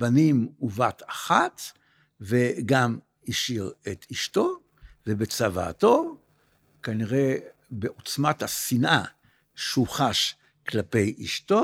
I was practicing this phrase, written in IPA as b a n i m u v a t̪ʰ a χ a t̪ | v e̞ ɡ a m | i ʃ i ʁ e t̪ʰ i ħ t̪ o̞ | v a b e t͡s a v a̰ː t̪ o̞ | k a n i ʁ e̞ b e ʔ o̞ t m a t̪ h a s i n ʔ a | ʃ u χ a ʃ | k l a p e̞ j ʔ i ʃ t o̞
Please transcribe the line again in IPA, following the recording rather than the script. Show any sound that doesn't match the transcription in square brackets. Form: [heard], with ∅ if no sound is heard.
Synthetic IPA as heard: b a n i m u v a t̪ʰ a χ a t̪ | v e̞ ɡ a m | i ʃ i ʁ e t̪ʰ i [ʃ] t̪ o̞ | v [e] b e t͡s a v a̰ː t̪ o̞ | k a n i ʁ e̞ b e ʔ o̞ [t͡s] m a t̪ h a s i n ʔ a | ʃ u χ a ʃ | k l a p e̞ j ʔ i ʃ t o̞